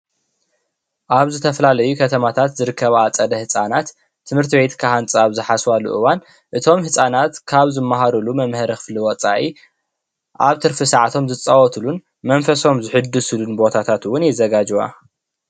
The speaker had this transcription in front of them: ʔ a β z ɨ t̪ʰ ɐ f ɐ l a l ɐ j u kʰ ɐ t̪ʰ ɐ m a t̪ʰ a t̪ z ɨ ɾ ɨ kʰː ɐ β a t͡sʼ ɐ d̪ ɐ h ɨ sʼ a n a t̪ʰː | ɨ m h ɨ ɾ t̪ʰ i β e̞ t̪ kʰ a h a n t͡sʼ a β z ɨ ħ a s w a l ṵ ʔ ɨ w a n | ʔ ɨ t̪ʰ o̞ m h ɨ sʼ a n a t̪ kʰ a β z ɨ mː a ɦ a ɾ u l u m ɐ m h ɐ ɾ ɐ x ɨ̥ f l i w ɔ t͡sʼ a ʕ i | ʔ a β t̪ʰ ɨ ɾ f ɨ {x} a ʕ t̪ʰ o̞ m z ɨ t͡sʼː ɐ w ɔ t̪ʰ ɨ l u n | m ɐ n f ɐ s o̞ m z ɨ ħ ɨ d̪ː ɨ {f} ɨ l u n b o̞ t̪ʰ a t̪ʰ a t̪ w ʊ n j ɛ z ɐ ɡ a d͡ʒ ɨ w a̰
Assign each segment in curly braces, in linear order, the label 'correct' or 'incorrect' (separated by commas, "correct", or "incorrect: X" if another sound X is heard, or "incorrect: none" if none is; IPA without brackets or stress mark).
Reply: incorrect: s, incorrect: s